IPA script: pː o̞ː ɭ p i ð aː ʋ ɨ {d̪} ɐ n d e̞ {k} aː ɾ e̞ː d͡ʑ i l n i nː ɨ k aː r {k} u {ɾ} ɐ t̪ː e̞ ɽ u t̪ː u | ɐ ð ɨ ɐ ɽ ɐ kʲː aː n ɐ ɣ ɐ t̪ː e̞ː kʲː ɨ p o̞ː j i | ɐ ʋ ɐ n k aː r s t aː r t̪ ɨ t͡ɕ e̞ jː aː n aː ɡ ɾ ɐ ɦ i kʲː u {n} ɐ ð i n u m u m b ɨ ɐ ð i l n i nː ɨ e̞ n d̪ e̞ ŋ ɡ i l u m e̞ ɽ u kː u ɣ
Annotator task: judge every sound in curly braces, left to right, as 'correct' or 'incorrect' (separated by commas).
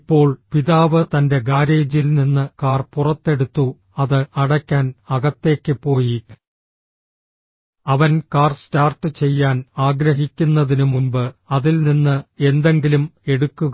incorrect, incorrect, incorrect, incorrect, incorrect